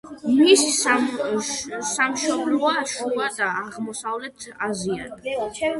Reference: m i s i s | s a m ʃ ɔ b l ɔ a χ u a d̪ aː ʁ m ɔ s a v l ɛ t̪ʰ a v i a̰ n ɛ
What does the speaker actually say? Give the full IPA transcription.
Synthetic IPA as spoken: m i s i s | s a m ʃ ɔ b l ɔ a ʃ u a d̪ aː ʁ m ɔ s a v l ɛ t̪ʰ a z i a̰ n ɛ